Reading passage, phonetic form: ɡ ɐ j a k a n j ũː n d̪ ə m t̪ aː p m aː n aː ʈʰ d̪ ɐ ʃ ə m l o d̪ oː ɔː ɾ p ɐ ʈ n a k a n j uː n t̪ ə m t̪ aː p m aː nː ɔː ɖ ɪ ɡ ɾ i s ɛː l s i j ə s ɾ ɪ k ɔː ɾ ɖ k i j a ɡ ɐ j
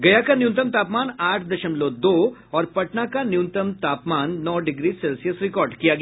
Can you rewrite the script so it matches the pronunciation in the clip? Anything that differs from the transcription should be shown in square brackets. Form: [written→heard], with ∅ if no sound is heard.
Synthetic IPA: ɡ ɐ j a k a n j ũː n [d̪→t̪] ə m t̪ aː p m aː n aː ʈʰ d̪ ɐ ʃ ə m l o d̪ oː ɔː ɾ p ɐ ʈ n a k a n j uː n t̪ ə m t̪ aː p m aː nː ɔː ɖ ɪ ɡ ɾ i s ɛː l s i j ə s ɾ ɪ k ɔː ɾ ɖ k i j a ɡ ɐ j